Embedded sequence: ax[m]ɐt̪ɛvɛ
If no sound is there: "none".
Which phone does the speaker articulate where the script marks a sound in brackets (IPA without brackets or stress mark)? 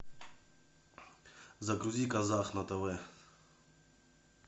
n